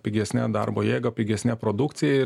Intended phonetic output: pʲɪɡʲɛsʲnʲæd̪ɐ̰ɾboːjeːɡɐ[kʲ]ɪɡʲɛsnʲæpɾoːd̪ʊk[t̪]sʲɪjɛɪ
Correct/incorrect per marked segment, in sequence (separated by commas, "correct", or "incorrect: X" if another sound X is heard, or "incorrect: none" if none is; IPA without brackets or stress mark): incorrect: pʲ, correct